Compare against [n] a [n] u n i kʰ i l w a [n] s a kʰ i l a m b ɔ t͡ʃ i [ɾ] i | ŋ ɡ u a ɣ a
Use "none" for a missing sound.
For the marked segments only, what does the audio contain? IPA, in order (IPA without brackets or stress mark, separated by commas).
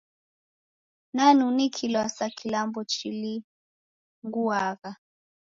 n, n, none, l